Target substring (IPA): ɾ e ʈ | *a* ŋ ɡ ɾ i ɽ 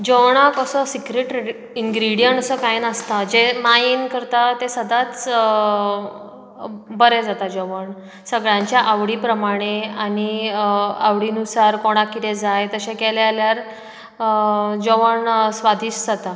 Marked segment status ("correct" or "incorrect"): incorrect